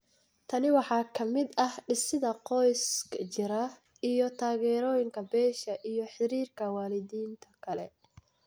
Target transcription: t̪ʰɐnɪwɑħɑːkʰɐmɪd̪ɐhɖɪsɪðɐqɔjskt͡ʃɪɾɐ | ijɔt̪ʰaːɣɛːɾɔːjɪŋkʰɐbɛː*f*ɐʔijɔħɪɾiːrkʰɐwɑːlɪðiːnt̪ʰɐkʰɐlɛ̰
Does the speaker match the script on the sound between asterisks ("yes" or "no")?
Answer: no